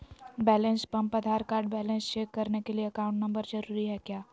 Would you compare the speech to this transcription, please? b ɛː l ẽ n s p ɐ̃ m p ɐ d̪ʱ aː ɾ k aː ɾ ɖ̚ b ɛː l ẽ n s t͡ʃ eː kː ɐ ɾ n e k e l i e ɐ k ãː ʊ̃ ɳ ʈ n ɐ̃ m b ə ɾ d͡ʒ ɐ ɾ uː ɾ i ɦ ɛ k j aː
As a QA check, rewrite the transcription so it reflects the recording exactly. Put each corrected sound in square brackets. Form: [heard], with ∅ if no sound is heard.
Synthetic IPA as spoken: b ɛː l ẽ n s p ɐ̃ m p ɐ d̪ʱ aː ɾ k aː ɾ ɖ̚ b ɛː l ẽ n s t͡ʃ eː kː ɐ ɾ n e k e l i e ɐ k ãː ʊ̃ ɳ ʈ n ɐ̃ m b ə ɾ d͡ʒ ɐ ɾ uː ɾ i ɦ ɛ k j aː